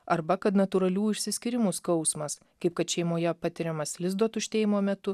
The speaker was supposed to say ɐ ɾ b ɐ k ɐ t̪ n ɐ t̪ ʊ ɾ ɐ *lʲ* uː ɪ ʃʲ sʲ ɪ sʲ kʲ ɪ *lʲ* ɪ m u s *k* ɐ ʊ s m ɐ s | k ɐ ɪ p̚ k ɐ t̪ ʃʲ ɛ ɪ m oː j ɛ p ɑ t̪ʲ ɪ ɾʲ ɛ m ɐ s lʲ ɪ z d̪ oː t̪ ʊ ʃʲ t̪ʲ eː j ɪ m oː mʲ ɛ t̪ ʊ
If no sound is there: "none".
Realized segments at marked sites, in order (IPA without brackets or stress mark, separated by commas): lʲ, ɾʲ, k